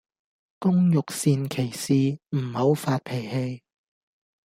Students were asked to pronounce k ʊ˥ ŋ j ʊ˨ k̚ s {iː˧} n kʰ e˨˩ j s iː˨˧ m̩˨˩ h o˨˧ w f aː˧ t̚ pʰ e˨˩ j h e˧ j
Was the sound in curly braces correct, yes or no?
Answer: yes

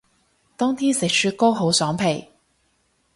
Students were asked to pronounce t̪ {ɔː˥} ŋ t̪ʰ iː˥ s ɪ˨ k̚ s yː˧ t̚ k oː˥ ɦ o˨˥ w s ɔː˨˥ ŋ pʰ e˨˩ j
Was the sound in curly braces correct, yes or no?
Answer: yes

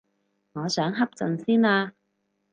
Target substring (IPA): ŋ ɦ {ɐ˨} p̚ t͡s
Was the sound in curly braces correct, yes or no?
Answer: no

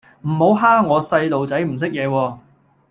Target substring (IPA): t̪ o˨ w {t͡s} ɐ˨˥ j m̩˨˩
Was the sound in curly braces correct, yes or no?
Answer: yes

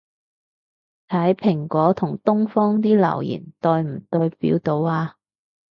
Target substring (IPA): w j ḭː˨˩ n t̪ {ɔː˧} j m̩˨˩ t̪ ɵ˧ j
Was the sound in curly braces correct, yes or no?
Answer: yes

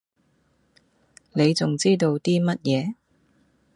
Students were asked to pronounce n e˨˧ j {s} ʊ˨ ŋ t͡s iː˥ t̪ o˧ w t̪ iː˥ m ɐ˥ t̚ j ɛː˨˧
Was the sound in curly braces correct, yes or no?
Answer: no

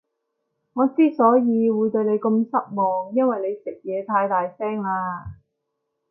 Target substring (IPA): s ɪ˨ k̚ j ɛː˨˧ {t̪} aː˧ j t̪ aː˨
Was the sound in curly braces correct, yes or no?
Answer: no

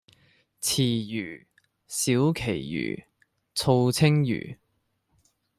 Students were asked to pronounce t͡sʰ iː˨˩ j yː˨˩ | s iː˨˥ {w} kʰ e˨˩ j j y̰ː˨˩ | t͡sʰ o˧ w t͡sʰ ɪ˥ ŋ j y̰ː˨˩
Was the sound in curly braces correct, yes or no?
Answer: yes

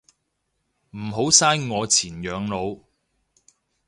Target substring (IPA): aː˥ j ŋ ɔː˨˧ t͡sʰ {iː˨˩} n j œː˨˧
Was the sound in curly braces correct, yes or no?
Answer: yes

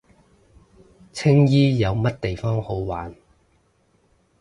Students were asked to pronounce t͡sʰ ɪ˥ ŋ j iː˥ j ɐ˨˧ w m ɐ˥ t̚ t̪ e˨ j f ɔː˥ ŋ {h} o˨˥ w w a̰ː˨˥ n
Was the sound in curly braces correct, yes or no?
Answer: yes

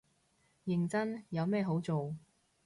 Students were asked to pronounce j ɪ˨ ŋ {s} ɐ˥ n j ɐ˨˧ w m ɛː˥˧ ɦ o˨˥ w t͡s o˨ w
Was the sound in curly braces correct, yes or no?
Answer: no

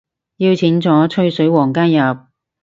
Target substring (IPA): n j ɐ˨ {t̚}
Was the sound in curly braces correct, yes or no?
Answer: no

